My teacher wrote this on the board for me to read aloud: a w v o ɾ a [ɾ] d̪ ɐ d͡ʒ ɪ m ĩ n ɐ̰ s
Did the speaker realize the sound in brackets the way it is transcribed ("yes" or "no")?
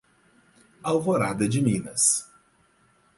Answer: no